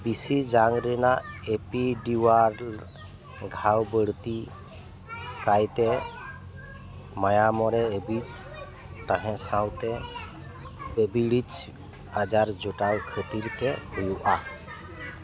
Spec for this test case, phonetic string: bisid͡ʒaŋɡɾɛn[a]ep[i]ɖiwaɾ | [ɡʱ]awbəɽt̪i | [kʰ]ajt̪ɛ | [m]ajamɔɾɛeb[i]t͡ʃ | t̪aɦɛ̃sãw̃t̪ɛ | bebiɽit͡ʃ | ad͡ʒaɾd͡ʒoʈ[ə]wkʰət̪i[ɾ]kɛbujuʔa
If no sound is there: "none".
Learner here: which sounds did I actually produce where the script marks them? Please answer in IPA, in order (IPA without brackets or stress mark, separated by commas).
a, i, ɡʱ, k, m, i, a, ɾ